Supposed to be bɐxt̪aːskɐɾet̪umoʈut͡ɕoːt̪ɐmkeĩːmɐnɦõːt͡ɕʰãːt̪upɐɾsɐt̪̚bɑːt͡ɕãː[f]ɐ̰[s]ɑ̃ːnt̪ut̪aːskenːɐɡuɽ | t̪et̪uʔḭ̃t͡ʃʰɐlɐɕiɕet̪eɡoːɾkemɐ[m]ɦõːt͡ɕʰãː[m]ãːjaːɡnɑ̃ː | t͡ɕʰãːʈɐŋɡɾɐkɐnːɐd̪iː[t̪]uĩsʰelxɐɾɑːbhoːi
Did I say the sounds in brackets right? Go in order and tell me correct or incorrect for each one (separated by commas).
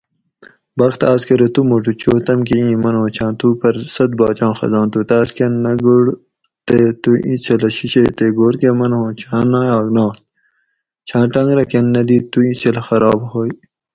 incorrect, incorrect, incorrect, incorrect, correct